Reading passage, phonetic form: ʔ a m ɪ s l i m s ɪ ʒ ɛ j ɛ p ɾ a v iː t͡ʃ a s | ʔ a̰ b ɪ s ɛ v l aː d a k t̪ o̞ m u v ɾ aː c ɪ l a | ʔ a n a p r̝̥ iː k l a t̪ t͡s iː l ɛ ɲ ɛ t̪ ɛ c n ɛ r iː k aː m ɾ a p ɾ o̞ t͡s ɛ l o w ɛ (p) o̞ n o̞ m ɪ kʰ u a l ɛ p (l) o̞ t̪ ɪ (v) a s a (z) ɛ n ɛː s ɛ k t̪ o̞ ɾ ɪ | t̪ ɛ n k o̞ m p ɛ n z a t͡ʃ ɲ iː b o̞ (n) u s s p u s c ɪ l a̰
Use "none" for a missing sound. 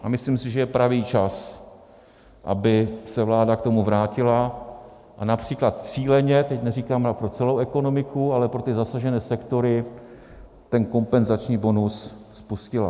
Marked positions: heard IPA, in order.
k, ɾ, z, ʒ, n

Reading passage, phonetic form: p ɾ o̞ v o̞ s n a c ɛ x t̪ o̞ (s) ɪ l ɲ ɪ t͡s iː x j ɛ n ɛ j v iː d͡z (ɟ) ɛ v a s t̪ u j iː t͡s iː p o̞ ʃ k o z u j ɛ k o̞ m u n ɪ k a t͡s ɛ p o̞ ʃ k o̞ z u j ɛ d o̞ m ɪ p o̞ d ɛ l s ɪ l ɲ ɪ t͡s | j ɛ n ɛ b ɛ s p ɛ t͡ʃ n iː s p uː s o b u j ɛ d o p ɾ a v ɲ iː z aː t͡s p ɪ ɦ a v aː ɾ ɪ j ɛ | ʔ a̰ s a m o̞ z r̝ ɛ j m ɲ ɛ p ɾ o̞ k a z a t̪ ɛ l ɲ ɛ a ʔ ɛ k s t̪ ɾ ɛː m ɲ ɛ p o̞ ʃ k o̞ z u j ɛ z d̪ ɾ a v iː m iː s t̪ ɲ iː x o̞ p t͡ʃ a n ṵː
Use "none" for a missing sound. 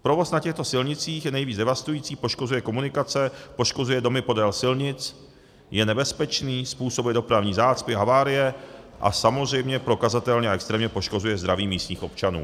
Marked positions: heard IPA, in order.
s, d

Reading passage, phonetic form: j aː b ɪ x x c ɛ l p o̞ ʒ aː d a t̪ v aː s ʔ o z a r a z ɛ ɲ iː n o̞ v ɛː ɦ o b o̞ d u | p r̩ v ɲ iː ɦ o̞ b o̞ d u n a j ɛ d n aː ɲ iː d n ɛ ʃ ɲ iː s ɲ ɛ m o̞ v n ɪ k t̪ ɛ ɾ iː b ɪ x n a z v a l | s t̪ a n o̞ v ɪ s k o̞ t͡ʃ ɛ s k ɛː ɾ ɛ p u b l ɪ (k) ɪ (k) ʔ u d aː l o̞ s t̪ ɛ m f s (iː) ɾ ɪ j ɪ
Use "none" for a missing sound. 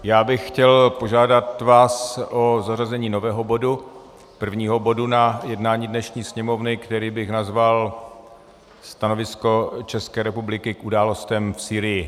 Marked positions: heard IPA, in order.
k, k, iː

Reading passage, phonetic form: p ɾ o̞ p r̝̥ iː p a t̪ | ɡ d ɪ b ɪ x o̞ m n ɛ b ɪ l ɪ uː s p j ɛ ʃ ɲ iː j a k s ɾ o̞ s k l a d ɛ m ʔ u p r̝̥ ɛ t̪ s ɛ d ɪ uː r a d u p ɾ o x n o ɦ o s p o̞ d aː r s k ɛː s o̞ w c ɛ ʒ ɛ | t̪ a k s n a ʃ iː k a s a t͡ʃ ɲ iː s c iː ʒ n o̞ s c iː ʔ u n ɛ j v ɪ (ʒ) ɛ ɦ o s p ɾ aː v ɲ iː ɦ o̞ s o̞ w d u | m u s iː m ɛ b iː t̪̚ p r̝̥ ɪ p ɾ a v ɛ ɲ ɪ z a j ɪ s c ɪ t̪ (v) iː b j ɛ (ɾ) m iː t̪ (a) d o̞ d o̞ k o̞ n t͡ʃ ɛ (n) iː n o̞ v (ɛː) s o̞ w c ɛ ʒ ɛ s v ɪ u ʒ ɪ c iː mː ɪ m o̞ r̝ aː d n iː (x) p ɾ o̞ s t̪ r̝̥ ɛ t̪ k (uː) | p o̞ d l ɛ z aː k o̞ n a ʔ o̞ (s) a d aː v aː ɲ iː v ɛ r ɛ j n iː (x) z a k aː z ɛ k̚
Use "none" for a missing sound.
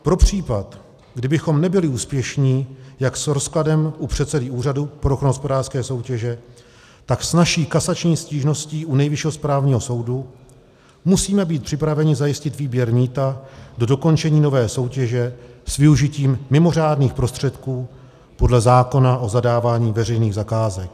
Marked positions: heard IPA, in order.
ʃ, v, ɾ, a, ɲ, ɛː, x, uː, z, ɣ

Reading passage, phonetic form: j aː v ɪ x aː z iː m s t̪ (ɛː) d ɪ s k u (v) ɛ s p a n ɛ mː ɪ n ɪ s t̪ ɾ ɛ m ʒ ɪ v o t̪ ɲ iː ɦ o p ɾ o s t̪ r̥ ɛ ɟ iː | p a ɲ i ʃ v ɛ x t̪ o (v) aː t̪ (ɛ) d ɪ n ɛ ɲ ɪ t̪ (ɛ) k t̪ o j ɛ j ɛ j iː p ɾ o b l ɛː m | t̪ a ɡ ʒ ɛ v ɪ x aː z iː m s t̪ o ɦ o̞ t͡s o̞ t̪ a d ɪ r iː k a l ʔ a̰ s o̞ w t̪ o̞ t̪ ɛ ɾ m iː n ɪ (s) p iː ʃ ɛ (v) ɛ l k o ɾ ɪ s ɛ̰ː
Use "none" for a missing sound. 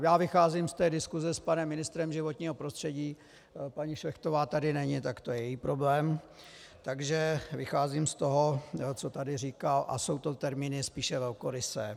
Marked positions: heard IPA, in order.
ɛː, z, v, a, a, s, v

